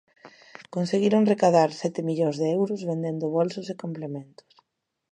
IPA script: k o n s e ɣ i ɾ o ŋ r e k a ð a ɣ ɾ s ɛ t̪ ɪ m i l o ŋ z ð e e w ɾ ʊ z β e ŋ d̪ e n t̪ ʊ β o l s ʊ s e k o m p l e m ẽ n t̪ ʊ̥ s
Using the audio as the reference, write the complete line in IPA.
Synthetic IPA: k o n s e ɣ i ɾ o ŋ r e k a ð a ɾ s ɛ t̪ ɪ m i ʎ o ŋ z ð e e w ɾ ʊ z β e n d̪ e n d̪ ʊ β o l s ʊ s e k o m p l e m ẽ n t̪ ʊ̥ s